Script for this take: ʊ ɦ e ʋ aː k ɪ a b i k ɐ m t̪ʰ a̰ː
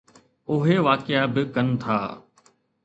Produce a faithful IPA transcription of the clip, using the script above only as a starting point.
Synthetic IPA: ʊ ɦ e ʋ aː k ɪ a b ɪ k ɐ n t̪ʰ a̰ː

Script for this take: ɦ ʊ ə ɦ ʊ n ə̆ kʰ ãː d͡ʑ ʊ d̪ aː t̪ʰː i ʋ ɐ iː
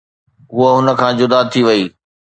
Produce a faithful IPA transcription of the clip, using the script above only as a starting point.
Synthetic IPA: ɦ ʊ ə ɦ ʊ n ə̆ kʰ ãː d͡ʑ ʊ d̪ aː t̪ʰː i ʋ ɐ iː

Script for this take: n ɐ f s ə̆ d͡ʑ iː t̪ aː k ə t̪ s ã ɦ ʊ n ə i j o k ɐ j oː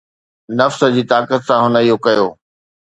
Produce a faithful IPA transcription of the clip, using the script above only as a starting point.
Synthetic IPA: n ɐ f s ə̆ d͡ʑ iː t̪ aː k ə t̪ s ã ɦ ʊ n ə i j o k ɐ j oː

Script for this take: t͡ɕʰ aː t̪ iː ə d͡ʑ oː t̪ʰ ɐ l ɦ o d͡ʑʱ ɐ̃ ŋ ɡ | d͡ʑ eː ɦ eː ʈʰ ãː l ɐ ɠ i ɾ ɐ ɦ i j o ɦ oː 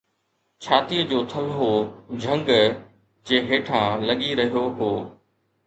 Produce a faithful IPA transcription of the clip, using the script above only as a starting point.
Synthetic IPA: t͡ɕʰ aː t̪ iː ə d͡ʑ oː t̪ʰ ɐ l ɦ o d͡ʑʱ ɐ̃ ŋ ɡ | d͡ʑ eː ɦ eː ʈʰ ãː l ɐ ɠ i ɾ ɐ ɦ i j o ɦ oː

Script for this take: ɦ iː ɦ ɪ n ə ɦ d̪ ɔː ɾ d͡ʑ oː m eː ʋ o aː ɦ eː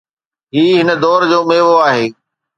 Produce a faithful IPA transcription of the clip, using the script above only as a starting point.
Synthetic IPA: ɦ iː ɦ ɪ n ə d̪ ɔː ɾ d͡ʑ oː m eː ʋ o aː ɦ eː

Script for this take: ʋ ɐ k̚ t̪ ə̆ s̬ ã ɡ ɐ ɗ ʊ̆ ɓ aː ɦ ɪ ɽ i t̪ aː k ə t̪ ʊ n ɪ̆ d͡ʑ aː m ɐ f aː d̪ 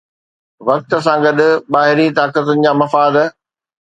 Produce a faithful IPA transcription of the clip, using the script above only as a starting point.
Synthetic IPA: ʋ ɐ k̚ t̪ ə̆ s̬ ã ɡ ɐ ɗ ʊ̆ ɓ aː ɦ ɪ ɾ i t̪ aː k ə t̪ ʊ n ɪ̆ d͡ʑ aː m ɐ f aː d̪

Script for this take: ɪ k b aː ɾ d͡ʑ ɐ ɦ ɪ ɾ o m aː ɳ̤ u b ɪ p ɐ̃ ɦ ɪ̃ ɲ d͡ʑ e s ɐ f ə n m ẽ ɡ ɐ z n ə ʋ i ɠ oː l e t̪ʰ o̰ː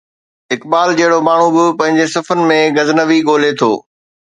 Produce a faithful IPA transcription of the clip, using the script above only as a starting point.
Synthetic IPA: ɪ k b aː l d͡ʑ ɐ ɦ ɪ ɽ o m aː ɳ̤ u b ɪ p ɐ̃ ɦ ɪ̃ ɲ d͡ʑ e s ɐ f ə n m ẽ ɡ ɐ z n ə ʋ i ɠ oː l e t̪ʰ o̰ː

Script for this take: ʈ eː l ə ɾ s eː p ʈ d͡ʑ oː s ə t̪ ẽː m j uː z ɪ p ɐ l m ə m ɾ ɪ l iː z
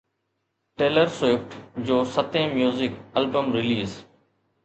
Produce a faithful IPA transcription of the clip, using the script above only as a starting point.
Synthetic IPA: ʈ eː l ə ɾ s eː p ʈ d͡ʑ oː s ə t̪ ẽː m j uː z ɪ k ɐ l b ə m ɾ ɪ l iː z

